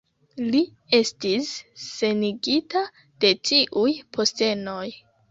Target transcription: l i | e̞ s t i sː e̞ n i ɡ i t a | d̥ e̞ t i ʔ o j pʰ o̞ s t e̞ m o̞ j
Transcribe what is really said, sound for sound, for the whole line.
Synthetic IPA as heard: l i | e̞ s t i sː e̞ n i ɡ i t a | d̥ e̞ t i ʔ u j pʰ o̞ s t e̞ n o̞ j